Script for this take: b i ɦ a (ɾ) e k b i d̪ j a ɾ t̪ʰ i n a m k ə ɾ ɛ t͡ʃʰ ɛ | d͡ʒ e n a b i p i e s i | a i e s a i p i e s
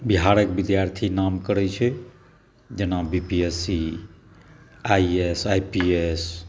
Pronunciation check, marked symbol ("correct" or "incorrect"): correct